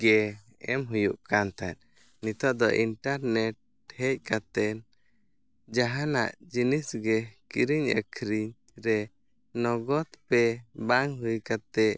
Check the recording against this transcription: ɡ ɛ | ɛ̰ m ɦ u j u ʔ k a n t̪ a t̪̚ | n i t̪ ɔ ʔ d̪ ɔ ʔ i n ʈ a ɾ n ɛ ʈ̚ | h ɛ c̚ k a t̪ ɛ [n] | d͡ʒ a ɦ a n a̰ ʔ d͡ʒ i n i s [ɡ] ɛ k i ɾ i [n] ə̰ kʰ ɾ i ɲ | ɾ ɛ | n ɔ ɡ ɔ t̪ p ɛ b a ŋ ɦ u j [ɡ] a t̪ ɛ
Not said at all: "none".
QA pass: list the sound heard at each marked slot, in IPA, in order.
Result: n, ɡ, ɲ, k

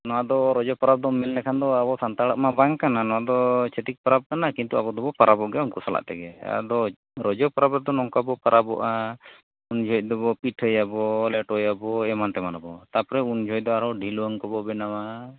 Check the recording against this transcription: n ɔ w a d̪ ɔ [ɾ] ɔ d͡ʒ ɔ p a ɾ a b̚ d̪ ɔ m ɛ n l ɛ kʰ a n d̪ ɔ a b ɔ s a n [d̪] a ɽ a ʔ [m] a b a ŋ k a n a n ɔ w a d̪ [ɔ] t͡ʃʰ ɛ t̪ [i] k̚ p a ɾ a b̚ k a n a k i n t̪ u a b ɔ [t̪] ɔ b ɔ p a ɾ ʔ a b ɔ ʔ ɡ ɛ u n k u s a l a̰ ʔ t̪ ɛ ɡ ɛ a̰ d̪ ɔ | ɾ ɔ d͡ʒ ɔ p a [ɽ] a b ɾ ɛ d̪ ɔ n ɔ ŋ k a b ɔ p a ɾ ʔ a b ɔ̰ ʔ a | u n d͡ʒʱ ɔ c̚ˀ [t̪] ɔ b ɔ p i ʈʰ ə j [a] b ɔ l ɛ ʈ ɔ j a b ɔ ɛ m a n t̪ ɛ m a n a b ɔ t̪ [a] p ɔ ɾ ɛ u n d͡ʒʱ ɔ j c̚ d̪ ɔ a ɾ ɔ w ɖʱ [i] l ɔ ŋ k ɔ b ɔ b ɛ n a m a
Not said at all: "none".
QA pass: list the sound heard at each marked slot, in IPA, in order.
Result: ɾ, t̪, m, ɔ, i, d̪, ɾ, d̪, a, a, i

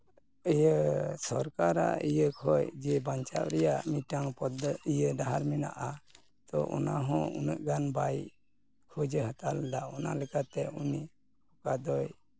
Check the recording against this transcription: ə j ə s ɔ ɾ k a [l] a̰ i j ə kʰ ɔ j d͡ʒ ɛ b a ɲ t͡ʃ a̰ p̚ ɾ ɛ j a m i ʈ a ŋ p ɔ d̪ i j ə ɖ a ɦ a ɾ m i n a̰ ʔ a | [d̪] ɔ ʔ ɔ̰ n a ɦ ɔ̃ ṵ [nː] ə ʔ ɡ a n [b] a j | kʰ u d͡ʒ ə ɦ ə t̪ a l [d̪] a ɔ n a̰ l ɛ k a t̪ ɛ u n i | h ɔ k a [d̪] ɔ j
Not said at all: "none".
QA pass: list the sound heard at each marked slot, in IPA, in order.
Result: ɾ, t̪, n, b, d̪, d̪

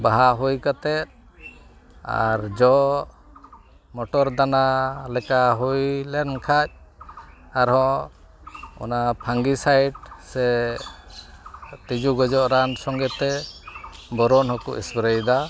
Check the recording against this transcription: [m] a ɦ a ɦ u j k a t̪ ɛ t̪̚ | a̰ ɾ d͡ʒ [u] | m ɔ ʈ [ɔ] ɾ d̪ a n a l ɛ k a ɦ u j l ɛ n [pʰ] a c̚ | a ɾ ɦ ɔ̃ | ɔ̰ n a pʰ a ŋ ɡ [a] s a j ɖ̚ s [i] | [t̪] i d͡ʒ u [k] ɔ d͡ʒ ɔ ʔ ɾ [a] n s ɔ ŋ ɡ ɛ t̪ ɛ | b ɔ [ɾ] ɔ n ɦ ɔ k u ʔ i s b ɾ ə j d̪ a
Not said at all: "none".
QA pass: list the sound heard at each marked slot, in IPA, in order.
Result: b, ɔ, ɔ, kʰ, i, ɛ, t̪, ɡ, a, ɾ

